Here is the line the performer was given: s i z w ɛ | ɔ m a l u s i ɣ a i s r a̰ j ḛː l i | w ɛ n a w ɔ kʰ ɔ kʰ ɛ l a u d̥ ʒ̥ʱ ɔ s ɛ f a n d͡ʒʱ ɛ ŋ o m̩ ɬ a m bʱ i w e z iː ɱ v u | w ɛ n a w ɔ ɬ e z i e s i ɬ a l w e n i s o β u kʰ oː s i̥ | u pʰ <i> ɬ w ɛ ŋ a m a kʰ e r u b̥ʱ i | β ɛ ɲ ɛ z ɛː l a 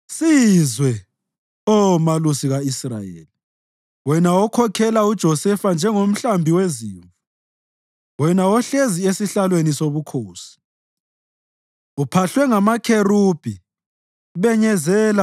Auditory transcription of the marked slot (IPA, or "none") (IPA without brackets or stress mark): a